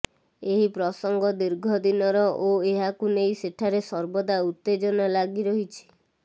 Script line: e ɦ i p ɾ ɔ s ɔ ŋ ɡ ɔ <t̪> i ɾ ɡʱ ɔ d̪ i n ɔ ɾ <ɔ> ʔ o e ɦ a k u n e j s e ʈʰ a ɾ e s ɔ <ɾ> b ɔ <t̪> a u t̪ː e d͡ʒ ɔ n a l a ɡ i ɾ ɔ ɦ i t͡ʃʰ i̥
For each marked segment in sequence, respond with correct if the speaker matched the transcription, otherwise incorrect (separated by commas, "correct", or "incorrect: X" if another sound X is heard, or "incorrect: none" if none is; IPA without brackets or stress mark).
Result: incorrect: d̪, correct, correct, incorrect: d̪